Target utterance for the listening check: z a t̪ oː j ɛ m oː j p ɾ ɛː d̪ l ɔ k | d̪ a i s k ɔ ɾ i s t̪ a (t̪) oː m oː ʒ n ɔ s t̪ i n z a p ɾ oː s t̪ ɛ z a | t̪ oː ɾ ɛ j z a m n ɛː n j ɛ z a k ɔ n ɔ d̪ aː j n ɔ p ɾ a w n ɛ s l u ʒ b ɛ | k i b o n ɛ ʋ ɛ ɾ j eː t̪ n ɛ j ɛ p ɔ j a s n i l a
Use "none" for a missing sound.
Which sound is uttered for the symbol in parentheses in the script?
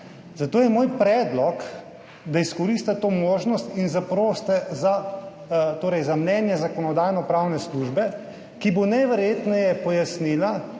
t̪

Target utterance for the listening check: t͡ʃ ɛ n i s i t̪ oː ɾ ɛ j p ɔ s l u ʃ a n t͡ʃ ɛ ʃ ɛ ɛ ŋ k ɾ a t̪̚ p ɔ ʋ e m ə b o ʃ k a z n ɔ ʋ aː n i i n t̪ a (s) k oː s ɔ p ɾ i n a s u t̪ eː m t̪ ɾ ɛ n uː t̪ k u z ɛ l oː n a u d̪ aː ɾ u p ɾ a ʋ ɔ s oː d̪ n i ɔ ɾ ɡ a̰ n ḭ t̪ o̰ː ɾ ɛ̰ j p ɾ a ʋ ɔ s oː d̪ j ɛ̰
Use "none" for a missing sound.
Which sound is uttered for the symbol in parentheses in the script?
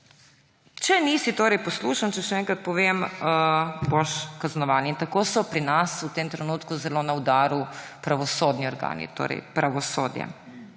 none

